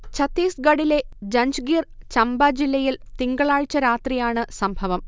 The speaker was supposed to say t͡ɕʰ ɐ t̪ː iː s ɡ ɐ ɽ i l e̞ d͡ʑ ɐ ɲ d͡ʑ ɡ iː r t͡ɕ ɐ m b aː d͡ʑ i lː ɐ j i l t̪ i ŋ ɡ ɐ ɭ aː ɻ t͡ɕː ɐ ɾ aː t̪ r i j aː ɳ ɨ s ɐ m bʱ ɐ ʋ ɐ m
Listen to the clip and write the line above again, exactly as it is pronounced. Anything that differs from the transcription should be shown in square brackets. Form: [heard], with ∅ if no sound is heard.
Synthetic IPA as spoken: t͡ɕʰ ɐ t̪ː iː s ɡ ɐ ɽ i l e̞ d͡ʑ ɐ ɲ d͡ʑ ɡ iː r t͡ɕ ɐ m b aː d͡ʑ i lː ɐ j i l t̪ i ŋ ɡ ɐ ɭ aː ɻ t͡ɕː ɐ ɾ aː t̪ r i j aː ɳ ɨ s ɐ m bʱ ɐ ʋ ɐ m